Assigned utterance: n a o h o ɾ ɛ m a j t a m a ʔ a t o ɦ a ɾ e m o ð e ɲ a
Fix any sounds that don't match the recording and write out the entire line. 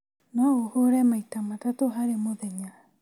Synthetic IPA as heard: n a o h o ɾ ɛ m a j t a m a t a t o ɦ a ɾ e m o ð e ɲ a